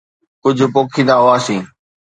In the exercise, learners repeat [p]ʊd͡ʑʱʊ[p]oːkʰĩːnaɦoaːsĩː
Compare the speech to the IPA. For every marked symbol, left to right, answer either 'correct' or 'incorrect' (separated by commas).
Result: incorrect, correct